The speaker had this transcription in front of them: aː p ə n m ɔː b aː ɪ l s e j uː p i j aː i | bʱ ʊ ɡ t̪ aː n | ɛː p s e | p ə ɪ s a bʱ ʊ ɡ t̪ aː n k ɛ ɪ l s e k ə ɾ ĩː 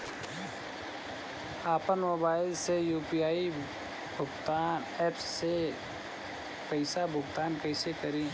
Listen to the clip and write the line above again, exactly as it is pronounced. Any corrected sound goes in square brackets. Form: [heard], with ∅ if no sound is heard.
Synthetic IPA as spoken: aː p ə n m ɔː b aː ɪ l s e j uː p i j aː i | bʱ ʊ ɡ t̪ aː n | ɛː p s e | p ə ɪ s a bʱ ʊ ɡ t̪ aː n k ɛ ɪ [∅] s e k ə ɾ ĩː